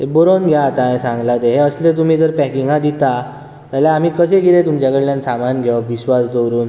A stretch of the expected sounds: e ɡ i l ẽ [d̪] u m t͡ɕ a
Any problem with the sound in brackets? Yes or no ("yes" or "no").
yes